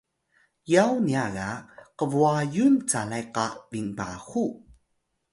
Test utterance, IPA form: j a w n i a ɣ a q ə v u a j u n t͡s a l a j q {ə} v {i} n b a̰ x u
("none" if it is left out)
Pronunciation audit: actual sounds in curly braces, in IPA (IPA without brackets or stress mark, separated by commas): a, i